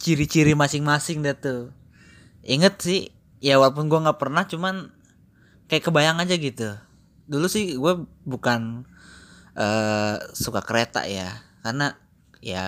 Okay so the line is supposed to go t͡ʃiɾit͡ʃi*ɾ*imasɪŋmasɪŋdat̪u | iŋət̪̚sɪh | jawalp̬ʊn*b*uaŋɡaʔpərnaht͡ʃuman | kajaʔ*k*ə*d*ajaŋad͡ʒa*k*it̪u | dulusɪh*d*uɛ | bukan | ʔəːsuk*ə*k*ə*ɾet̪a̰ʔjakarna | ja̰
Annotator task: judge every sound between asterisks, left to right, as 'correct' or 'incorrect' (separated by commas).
correct, incorrect, correct, incorrect, incorrect, incorrect, incorrect, correct